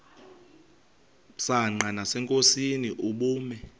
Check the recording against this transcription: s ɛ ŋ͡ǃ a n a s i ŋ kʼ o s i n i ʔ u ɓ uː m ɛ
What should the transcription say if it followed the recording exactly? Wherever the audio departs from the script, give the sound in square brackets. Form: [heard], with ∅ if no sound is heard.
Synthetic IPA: s [a] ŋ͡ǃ a n a s [ɛ] ŋ kʼ o s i n i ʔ u ɓ uː m ɛ

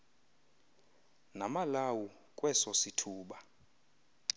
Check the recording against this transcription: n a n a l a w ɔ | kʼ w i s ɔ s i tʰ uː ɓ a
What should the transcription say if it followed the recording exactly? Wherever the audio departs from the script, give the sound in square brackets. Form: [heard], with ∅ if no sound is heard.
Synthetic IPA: n a [m] a l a w [u] | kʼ w [ɛ] s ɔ s i tʰ uː ɓ a

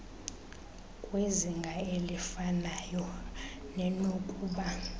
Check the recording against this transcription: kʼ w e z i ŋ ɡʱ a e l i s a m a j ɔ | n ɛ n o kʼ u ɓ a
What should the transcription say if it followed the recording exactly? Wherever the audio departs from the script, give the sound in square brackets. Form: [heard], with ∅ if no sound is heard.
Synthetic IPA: kʼ w e z i ŋ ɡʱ a e l i [f] a [n] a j ɔ | n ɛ n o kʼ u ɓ a

